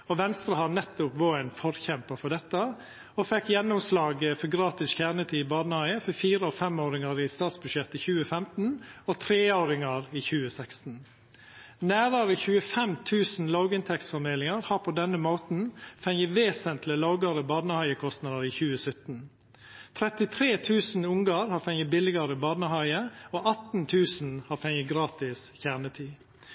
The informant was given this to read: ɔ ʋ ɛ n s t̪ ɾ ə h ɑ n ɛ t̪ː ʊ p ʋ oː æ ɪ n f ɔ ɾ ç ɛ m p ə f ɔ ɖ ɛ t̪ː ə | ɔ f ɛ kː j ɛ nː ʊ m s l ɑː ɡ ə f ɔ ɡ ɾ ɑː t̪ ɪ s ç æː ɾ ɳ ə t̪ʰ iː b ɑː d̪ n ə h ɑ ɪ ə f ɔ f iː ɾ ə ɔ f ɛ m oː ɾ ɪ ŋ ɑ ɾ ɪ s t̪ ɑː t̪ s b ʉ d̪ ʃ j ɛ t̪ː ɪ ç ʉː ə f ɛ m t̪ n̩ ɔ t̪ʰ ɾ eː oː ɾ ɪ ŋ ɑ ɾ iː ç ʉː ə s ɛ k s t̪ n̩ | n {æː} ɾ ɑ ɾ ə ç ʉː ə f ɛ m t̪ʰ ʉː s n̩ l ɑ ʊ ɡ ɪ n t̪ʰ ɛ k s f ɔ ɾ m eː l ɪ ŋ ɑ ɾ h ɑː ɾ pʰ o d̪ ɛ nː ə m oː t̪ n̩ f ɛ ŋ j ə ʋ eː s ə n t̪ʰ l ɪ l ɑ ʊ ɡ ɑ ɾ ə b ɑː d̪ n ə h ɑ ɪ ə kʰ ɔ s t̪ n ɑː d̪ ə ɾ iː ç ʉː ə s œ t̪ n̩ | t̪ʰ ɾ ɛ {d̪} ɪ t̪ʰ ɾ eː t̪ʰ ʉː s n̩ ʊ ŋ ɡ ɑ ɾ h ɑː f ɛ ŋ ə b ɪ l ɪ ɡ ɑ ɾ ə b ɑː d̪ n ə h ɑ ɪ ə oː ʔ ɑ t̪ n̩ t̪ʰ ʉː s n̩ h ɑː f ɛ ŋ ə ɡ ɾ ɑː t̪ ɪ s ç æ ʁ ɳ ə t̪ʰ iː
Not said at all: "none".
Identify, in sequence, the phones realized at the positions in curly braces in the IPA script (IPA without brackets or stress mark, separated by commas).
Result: æː, t̪